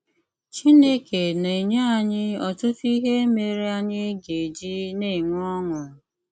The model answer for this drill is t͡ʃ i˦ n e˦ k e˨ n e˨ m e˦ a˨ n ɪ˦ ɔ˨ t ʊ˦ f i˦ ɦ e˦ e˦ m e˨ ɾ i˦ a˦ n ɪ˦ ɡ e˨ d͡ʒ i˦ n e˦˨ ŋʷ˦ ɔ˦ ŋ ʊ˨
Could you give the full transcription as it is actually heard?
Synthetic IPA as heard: t͡ʃ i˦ n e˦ k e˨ n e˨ ɲ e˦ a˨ ɲ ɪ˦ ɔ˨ t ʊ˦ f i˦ ɦ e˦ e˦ m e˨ ɾ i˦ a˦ ɲ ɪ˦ ɡ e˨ d͡ʒ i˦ n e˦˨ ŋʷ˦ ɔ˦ ŋ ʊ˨